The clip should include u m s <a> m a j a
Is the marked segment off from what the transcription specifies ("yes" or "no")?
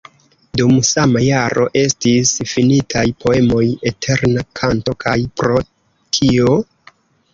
no